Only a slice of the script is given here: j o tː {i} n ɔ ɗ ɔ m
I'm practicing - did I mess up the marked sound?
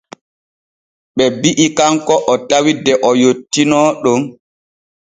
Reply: no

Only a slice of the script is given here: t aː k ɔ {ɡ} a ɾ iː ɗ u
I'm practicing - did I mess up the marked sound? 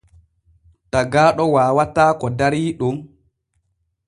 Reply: yes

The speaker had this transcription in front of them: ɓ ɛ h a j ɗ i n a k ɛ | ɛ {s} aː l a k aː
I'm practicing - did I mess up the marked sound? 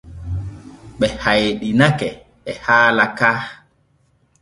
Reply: yes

